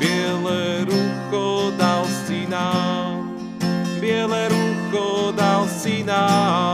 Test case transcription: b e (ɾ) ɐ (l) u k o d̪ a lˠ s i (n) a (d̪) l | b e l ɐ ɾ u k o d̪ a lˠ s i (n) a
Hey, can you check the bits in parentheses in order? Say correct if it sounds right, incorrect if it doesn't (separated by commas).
incorrect, incorrect, correct, incorrect, correct